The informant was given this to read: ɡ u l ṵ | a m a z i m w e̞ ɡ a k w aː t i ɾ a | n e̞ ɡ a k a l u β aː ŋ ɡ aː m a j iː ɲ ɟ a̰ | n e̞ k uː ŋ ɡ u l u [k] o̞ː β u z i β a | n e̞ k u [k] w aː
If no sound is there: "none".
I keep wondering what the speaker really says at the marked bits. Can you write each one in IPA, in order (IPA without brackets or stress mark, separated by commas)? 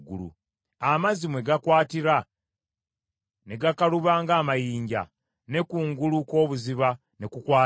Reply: k, k